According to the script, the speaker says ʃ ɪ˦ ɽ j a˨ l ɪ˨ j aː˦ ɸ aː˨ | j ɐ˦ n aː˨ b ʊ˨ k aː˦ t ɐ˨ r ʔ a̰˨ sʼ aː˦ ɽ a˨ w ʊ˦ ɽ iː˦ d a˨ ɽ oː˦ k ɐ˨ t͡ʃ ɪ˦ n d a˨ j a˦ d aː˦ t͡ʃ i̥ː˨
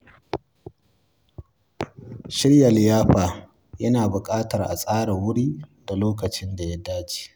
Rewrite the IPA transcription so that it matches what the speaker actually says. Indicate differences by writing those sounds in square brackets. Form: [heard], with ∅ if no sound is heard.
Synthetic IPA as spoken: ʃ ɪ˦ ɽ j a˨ l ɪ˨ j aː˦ ɸ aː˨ | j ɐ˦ n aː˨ b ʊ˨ [kʼ] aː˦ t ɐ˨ r ʔ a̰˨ sʼ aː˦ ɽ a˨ w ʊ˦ ɽ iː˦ d a˨ [l] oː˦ k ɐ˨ t͡ʃ ɪ˦ n d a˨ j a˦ d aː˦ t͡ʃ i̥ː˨